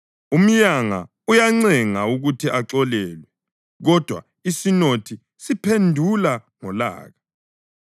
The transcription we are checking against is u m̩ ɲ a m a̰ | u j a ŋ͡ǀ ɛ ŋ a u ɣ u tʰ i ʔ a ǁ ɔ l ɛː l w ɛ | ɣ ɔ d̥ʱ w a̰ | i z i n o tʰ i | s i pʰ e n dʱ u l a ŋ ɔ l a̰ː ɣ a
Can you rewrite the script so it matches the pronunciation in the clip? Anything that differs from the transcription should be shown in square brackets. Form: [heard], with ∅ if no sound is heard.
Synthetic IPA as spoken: u m̩ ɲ a [ŋ] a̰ | u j a ŋ͡ǀ ɛ ŋ a u ɣ u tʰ i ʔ a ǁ ɔ l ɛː l w ɛ | ɣ ɔ d̥ʱ w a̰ | i [s] i n o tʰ i | s i pʰ e n dʱ u l a ŋ ɔ l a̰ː ɣ a